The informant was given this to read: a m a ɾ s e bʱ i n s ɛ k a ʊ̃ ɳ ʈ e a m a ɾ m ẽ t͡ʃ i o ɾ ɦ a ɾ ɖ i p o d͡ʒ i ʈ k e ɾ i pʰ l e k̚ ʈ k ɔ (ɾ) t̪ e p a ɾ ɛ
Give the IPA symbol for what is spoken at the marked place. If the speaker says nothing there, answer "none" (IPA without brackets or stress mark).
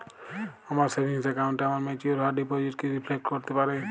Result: ɾ